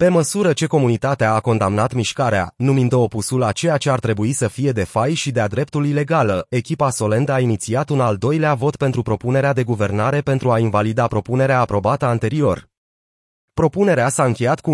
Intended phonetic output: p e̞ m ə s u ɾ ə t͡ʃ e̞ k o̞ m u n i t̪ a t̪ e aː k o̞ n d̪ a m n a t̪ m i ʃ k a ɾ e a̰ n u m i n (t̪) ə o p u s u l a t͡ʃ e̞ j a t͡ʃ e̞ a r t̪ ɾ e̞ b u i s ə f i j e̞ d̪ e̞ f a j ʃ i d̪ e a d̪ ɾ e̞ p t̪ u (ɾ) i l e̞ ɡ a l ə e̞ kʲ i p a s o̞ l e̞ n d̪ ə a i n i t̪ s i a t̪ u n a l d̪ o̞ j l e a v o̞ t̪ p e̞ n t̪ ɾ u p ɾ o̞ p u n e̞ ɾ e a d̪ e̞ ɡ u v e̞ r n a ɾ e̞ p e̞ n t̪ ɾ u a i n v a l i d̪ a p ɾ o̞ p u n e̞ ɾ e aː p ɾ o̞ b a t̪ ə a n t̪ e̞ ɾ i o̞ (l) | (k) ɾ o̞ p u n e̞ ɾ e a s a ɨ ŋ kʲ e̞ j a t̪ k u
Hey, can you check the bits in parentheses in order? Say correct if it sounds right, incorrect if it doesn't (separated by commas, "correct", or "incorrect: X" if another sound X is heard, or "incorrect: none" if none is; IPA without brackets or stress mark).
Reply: incorrect: d̪, incorrect: l, incorrect: r, incorrect: p